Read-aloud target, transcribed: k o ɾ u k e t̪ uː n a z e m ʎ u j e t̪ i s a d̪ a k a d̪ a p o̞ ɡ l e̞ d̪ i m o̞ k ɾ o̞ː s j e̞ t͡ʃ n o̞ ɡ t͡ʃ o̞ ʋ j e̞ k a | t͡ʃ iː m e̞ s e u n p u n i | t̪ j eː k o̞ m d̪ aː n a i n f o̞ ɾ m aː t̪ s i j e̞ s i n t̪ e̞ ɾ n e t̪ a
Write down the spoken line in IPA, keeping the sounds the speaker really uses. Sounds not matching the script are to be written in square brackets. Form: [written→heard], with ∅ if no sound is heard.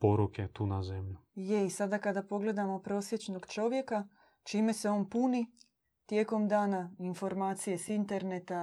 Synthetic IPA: [k→p] o ɾ u k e t̪ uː n a z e m ʎ u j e [t̪→∅] i s a d̪ a k a d̪ a p o̞ ɡ l e̞ d̪ [i→a] m o̞ [k→p] ɾ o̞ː s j e̞ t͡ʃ n o̞ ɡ t͡ʃ o̞ ʋ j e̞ k a | t͡ʃ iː m e̞ s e [u→o] n p u n i | t̪ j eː k o̞ m d̪ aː n a i n f o̞ ɾ m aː t̪ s i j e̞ s i n t̪ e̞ ɾ n e t̪ a